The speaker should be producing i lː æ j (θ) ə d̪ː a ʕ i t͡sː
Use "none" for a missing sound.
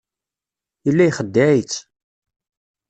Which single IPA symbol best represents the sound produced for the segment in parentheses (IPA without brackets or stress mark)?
χ